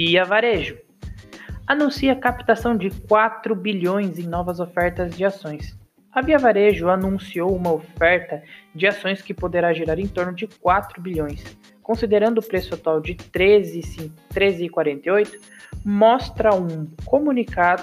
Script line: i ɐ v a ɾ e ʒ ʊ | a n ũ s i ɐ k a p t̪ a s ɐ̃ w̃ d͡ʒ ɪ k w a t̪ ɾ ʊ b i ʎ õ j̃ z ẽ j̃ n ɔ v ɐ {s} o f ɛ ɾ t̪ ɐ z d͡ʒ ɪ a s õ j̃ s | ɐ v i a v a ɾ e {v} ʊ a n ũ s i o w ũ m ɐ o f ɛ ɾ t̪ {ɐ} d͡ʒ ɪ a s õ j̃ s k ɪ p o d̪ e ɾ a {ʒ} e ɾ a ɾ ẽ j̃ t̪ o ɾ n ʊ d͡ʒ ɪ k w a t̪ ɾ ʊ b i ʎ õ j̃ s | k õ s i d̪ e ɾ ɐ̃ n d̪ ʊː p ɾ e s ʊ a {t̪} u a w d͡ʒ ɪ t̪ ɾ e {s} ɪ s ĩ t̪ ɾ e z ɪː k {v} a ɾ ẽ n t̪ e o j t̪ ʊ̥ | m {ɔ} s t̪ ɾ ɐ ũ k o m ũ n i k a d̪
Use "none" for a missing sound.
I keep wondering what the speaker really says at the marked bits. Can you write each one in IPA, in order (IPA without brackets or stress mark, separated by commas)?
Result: z, ʒ, ɐ, ʒ, t̪, z, w, ɔ